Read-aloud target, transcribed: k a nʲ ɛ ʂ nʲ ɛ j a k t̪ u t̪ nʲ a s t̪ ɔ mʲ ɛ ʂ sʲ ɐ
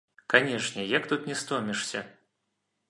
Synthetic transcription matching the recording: k a nʲ ɛ ʂ nʲ ɛ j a k t̪ u t̪ nʲ ɛ s t̪ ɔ mʲ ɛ ʂ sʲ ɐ

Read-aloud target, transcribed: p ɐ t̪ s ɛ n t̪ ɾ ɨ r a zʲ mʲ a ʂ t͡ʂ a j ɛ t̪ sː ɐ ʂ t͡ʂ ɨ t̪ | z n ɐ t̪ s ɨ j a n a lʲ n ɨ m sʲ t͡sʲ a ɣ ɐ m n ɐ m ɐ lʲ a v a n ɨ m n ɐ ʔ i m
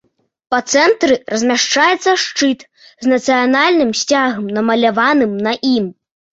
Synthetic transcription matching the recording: p ɐ t̪ s ɛ n t̪ ɾ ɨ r ɐ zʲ mʲ a ʂ t͡ʂ a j ɛ t̪ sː ɐ ʂ t͡ʂ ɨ t̪ | z n ɐ t̪ s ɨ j a n a lʲ n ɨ m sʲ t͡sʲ a ɣ ɐ m n ɐ m ɐ lʲ a v a n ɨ m n ɐ ʔ i m

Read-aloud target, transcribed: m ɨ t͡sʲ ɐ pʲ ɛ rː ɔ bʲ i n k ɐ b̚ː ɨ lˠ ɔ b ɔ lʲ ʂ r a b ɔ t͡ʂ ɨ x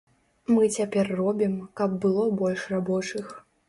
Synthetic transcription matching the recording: m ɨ t͡sʲ a pʲ ɛ rː ɔ bʲ i m k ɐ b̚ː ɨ lˠ ɔ b ɔ lʲ ʂ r a b ɔ t͡ʂ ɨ x

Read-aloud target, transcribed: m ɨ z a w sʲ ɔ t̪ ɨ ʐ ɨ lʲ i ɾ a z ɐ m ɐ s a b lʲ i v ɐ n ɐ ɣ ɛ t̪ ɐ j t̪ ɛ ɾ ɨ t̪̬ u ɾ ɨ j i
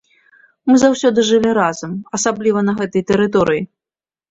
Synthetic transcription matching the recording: m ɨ z a w sʲ ɔ d̪ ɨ ʐ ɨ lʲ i ɾ a z ɐ m ɐ s a b lʲ i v ɐ n ɐ ɣ ɛ t̪ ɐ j t̪ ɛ ɾ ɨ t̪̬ ɔ ɾ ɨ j i

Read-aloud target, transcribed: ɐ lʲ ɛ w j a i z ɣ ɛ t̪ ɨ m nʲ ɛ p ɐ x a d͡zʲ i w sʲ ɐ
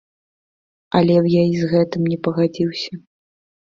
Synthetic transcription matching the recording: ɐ lʲ ɛ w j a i z ɣ ɛ t̪ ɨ m nʲ ɛ p ɐ ɣ a d͡zʲ i w sʲ ɐ

